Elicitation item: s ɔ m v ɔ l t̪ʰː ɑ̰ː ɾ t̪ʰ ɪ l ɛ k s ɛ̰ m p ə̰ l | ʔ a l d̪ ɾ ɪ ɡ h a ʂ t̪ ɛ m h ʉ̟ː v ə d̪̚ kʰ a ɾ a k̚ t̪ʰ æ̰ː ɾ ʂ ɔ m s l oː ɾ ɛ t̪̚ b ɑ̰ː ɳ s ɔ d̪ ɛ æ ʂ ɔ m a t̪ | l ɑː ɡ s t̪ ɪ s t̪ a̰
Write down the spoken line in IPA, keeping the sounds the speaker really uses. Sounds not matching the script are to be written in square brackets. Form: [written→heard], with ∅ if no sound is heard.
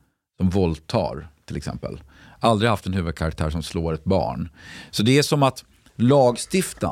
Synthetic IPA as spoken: s ɔ m v ɔ l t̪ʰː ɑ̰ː ɾ t̪ʰ ɪ l ɛ k s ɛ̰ m p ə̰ l | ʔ a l d̪ ɾ ɪ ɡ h a [ʂ→f] t̪ ɛ [m→n] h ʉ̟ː v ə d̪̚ kʰ a ɾ a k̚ t̪ʰ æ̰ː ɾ ʂ ɔ m s l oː ɾ ɛ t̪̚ b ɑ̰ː ɳ s ɔ d̪ ɛ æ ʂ ɔ m a t̪ | l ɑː ɡ s t̪ ɪ [s→f] t̪ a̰